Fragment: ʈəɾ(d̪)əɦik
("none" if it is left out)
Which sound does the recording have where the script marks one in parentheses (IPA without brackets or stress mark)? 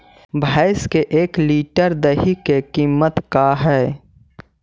d̪